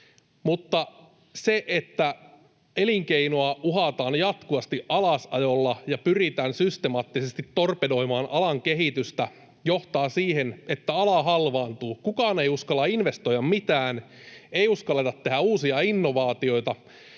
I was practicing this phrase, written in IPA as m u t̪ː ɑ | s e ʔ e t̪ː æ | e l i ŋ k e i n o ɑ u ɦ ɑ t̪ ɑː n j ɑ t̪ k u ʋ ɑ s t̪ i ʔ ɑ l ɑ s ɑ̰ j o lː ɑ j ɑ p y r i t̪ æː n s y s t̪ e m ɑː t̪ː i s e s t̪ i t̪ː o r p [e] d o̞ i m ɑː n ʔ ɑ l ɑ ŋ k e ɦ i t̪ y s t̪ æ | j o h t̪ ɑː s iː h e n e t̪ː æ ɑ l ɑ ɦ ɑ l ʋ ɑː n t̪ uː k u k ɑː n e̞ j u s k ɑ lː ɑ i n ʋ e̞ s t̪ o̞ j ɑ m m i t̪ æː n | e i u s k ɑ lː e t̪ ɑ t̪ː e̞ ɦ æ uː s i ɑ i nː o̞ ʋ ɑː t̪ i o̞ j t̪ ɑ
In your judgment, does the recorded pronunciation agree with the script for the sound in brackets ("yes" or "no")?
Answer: yes